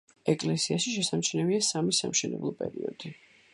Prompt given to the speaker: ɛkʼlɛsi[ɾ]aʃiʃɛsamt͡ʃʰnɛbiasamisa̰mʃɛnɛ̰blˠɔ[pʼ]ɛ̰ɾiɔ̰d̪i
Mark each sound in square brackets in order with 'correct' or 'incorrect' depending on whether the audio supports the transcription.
incorrect, correct

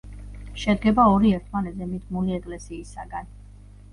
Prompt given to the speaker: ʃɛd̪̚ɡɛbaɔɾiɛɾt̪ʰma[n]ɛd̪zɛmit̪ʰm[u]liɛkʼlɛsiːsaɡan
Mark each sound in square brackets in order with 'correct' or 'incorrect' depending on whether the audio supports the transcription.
correct, correct

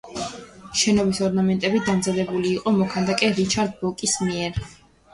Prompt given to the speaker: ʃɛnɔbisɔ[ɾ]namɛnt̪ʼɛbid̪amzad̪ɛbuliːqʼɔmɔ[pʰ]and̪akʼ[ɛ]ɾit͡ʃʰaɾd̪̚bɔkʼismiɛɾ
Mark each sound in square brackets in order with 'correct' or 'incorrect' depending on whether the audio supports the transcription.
correct, incorrect, correct

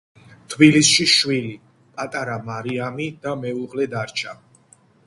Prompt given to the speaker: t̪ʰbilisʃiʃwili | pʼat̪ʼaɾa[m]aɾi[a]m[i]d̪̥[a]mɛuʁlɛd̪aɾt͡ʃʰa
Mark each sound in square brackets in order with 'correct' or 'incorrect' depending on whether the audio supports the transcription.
correct, correct, correct, correct

